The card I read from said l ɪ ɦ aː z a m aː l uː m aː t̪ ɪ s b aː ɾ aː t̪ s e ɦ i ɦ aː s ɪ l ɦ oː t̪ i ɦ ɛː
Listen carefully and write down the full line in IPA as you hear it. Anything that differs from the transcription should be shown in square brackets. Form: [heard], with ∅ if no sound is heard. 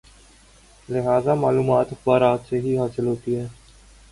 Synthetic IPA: l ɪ ɦ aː z a m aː l uː m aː t̪ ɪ [x] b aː ɾ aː t̪ s e ɦ i ɦ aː s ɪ l ɦ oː t̪ i ɦ ɛː